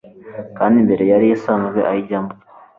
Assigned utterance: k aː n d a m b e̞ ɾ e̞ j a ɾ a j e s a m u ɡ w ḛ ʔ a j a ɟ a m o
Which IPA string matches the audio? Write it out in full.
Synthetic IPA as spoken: k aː n d i m b e̞ ɾ e̞ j a ɾ i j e s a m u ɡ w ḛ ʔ a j i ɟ a m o

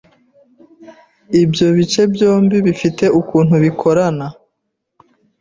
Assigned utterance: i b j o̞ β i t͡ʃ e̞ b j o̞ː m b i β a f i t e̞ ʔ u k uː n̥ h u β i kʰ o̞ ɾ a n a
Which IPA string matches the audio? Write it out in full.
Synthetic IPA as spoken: i b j o̞ β i t͡ʃ e̞ b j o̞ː m b i β i f i t e̞ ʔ u k uː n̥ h u β i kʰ o̞ ɾ a n a

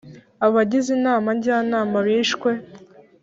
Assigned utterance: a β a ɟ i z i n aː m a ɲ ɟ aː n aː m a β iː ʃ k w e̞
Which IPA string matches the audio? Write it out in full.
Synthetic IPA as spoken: a β a ɟ i z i n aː m a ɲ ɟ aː n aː m a β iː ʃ k w e̞

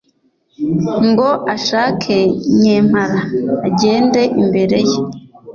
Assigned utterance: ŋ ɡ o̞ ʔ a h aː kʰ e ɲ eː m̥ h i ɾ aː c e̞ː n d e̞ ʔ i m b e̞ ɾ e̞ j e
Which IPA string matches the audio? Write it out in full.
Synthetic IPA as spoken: ŋ ɡ o̞ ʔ a ʃ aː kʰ e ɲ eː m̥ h a ɾ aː ɟ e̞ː n d e̞ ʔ i m b e̞ ɾ e̞ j e

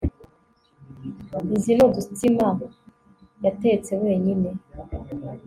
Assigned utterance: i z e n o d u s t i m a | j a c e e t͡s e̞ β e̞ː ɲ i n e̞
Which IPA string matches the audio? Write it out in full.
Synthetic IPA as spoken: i z i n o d u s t i m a | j a t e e t͡s e̞ w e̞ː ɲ i n e̞

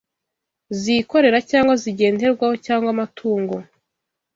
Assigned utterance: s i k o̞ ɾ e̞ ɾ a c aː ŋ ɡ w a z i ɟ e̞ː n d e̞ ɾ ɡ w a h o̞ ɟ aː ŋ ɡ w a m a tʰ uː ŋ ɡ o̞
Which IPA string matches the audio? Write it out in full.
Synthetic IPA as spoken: z i k o̞ ɾ e̞ ɾ a c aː ŋ ɡ w a z i ɟ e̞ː n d e̞ ɾ ɡ w a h o̞ c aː ŋ ɡ w a m a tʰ uː ŋ ɡ o̞

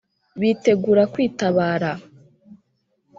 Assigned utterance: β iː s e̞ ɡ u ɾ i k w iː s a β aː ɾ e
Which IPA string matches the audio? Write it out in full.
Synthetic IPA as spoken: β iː t e̞ ɡ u ɾ a k w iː t a β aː ɾ a

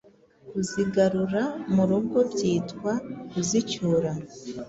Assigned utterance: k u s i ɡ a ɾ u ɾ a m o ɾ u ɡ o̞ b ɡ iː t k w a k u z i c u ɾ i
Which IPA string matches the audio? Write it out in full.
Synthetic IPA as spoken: k u z i ɡ a ɾ u ɾ a m u ɾ u ɡ o̞ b ɟ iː t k w a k u z i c u ɾ a

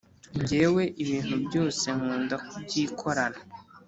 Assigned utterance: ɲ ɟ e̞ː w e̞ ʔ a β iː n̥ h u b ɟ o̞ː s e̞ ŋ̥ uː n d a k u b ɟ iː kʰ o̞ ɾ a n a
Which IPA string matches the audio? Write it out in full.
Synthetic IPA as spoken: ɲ ɟ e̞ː w e̞ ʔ i β iː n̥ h u b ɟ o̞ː s e̞ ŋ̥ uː n d a k u b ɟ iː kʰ o̞ ɾ a n a

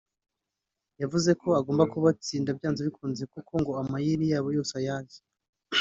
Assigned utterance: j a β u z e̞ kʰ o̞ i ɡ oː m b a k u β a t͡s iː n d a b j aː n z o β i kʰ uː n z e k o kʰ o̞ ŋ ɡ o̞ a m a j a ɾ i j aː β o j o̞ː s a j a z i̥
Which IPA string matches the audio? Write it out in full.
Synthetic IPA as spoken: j a v u z e̞ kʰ o̞ a ɡ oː m b a k u β a t͡s iː n d a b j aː n z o β i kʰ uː n z e k u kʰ o̞ ŋ ɡ o̞ a m a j i ɾ i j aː β o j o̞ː s a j a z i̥

